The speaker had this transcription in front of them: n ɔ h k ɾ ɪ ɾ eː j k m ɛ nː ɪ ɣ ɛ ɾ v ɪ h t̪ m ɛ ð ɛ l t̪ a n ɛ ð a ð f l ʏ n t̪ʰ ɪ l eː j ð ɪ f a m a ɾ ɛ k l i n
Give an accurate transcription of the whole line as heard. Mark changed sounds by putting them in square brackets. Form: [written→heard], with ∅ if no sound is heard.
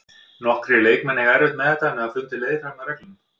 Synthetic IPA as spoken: n ɔ h k ɾ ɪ [ɾ→l] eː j k m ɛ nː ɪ ɣ ɛ ɾ v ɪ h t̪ m ɛ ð ɛ [l→∅] t̪ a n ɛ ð a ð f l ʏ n [t̪ʰ→t̪] ɪ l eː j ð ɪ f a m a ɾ ɛ k l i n

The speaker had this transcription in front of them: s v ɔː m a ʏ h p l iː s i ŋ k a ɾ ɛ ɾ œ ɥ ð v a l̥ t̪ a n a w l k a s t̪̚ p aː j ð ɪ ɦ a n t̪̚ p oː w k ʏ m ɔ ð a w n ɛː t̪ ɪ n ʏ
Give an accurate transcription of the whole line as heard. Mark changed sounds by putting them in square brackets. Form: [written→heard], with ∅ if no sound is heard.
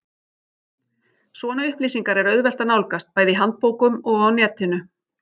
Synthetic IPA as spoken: s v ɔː [m→n] a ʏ h p l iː s i ŋ k a ɾ ɛ ɾ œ ɥ ð v [a→ɛ] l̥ t̪ a n a w l k a s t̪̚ p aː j ð ɪ ɦ a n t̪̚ p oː w k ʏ m ɔ [ð→ɣ] a w n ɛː t̪ ɪ n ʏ

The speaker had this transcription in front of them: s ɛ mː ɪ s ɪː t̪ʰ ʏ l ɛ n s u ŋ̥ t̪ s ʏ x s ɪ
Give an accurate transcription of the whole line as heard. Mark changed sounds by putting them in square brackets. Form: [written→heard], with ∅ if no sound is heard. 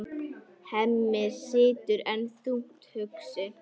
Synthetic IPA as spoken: [s→h] ɛ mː ɪ s ɪː [t̪ʰ→t̪] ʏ [l→ɾ] ɛ n [s→θ] u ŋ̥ t̪ [s→h] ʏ [x→k] s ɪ

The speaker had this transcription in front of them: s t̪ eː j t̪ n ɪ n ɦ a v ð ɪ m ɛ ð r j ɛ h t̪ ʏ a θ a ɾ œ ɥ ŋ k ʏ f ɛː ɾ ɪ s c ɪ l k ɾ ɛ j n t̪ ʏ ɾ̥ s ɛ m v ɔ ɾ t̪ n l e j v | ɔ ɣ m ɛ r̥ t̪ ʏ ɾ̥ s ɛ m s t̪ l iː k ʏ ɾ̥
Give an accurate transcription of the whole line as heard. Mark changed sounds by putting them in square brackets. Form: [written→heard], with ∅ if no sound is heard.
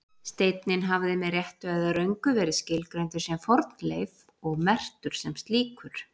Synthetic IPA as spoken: s t̪ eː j t̪ n ɪ n ɦ a v ð ɪ m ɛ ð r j ɛ h t̪ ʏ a [θ→ð] a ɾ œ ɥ ŋ k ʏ [f→v] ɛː ɾ ɪ s c ɪ l k ɾ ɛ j n t̪ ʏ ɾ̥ s ɛ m [v→f] ɔ ɾ t̪ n l e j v | ɔ ɣ m ɛ r̥ t̪ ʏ ɾ̥ s ɛ m s t̪ l iː k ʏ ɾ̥

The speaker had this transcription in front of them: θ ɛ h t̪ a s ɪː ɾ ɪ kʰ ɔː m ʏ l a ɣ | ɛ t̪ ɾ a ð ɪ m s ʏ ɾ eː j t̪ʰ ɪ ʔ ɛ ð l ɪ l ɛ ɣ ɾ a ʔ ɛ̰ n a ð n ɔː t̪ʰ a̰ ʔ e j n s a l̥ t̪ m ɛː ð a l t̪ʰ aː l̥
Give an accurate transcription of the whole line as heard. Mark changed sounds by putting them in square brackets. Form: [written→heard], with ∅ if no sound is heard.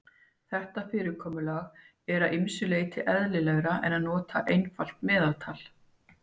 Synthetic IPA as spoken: θ ɛ h t̪ a [s→f] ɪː ɾ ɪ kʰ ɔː m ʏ l a ɣ | ɛ [t̪→∅] ɾ a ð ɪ m s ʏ [ɾ→l] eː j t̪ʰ ɪ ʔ ɛ ð l ɪ l ɛ ɣ ɾ a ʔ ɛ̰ n a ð n ɔː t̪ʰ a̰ ʔ e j n [s→f] a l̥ t̪ m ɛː ð a l t̪ʰ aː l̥

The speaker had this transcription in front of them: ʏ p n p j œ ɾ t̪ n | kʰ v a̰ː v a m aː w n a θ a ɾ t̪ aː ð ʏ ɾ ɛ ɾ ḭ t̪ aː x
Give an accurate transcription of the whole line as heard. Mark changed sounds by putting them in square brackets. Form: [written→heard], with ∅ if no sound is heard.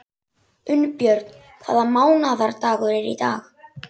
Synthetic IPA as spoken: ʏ [p→∅] n p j œ ɾ t̪ n | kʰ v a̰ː [v→ð] a m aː w n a [θ→ð] a ɾ t̪ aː [ð→ɣ] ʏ ɾ ɛ ɾ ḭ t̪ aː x

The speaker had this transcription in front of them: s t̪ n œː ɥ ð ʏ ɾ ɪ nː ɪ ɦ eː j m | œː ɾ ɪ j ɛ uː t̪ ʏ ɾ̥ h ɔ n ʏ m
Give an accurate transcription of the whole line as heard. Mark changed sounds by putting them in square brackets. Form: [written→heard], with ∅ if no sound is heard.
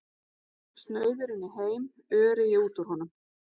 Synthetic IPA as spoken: s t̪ n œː ɥ ð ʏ ɾ ɪ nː ɪ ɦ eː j m | œː ɾ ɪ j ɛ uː t̪ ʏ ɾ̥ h ɔ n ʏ m

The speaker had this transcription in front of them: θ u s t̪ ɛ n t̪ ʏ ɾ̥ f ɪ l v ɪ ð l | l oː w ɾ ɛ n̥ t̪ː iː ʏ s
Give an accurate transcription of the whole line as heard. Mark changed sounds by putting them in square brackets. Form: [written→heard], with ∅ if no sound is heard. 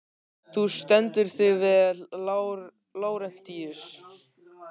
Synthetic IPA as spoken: θ u s t̪ ɛ n t̪ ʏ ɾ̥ [f→θ] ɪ [l→∅] v ɪ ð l | l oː w ɾ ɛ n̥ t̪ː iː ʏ s

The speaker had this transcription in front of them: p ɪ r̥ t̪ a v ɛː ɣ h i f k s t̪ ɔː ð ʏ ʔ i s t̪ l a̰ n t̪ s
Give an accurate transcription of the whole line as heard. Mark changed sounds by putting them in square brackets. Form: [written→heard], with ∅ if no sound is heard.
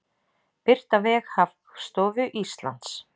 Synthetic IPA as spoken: p ɪ r̥ t̪ a v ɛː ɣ h [i→a] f k s t̪ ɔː [ð→v] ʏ ʔ i s t̪ l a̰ n t̪ s

